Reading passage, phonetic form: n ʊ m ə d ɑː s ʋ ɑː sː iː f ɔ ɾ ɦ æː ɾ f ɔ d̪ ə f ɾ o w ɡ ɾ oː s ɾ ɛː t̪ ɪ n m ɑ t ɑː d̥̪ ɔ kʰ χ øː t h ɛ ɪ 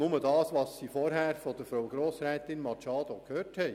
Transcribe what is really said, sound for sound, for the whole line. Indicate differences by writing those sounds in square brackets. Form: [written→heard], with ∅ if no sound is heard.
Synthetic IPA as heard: n ʊ m ə d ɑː s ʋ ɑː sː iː f ɔ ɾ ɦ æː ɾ f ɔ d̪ ə f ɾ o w ɡ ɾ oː s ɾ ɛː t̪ ɪ n m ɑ [t→t͡ʃ] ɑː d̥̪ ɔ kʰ [χ→h] øː t h ɛ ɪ

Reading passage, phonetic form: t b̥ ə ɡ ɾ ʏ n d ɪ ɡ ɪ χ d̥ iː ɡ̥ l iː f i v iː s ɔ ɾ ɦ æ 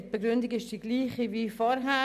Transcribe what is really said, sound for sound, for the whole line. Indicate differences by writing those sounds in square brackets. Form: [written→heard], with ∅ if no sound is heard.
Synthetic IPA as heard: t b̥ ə ɡ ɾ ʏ n d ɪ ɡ ɪ [χ→ʃ] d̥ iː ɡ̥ l iː [f→χ] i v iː [s→f] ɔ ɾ ɦ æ

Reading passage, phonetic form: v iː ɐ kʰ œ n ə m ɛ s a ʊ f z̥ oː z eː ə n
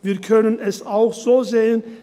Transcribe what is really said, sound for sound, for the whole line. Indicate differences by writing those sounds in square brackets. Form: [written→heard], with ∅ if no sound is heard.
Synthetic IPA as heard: v iː ɐ kʰ œ n ə [m→n] ɛ s a ʊ [f→x] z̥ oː z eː ə n

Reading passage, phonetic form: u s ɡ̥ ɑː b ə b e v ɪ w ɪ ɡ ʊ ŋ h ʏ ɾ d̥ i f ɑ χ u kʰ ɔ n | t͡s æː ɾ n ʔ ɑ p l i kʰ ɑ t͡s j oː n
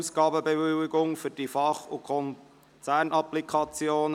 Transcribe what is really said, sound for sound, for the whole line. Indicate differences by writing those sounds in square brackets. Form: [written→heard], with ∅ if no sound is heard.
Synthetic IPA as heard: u s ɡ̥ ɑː b ə b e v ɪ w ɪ ɡ ʊ ŋ [h→f] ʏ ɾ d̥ i f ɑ χ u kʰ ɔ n | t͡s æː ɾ n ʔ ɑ p l i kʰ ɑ t͡s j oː n

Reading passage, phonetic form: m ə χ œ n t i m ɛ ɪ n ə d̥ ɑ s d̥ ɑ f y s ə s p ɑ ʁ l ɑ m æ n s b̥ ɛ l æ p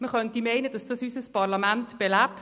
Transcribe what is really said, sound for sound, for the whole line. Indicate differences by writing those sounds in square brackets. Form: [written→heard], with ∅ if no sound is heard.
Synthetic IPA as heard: m ə χ œ n t i m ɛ ɪ n ə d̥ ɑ s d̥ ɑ [f→s] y s ə s p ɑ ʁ l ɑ m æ n [s→t] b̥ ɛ l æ p

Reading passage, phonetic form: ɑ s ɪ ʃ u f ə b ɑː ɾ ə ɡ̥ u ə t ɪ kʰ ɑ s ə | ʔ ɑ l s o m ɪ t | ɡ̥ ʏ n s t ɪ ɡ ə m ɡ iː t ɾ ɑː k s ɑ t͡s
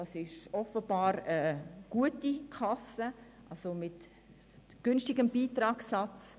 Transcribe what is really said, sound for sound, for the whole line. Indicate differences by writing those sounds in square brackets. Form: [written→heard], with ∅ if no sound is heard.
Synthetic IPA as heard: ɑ s ɪ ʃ [u→ɔ] f ə b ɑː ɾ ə ɡ̥ u ə t [ɪ→i] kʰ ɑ s ə | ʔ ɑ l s o m ɪ t | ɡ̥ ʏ n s t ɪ ɡ ə m [ɡ→b] iː t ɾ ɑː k s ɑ t͡s

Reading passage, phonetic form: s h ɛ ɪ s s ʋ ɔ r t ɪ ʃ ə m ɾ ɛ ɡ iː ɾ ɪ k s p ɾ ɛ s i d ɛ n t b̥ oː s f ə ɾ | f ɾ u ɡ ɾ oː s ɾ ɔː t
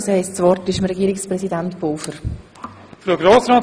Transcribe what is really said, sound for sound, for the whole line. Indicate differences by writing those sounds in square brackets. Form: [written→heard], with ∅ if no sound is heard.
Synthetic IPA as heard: s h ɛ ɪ s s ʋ ɔ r t ɪ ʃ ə m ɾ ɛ ɡ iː ɾ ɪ k s p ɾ ɛ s i d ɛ n t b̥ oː [s→∅] f ə ɾ | f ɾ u ɡ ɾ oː s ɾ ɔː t

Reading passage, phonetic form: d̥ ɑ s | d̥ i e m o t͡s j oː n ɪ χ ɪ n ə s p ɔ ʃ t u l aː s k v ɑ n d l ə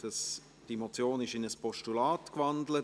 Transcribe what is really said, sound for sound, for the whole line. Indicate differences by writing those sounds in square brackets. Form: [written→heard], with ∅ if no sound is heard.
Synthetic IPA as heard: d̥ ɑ s | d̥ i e m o t͡s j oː n ɪ [χ→ʃ] ɪ n ə s p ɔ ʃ t u l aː [s→t] k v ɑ n d l ə

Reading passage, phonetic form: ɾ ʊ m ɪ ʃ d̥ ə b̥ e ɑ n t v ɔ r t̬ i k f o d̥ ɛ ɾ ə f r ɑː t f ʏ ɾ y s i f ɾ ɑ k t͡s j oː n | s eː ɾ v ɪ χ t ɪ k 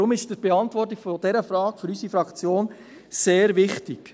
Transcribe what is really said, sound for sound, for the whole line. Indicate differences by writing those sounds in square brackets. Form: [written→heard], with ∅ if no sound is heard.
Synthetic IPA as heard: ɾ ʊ m ɪ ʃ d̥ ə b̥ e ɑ n t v ɔ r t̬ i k f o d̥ ɛ ɾ ə f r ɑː [t→k] f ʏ ɾ y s i f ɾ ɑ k t͡s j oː n | s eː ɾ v ɪ χ t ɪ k

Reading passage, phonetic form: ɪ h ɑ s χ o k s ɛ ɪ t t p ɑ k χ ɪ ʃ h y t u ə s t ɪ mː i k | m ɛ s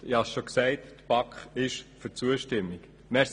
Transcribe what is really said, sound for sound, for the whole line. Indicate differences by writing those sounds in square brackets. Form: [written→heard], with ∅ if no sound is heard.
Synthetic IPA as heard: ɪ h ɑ s [χ→ʃ] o k s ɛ ɪ t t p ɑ k χ ɪ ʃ [h→f] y [t→t͡s] u ə [s→ʃ] t ɪ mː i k | m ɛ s

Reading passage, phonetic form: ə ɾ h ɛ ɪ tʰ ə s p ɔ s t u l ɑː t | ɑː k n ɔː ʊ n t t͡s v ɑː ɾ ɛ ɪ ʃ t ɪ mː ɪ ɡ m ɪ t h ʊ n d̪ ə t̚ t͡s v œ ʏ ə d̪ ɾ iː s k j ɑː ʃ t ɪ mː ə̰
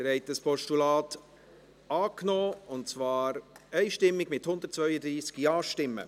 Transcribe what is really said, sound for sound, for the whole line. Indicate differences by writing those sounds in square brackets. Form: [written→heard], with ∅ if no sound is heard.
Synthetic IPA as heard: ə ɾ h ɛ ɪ [tʰ→t] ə s p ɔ [s→ʃ] t u l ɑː t | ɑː k n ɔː ʊ n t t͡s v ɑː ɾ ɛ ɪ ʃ t ɪ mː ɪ ɡ m ɪ t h ʊ n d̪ ə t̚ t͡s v œ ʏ ə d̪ ɾ iː s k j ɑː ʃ t ɪ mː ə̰

